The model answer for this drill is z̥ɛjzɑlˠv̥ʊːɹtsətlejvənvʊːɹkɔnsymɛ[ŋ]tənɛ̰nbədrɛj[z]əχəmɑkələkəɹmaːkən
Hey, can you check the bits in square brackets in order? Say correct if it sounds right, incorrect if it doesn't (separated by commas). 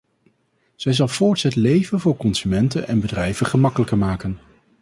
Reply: incorrect, incorrect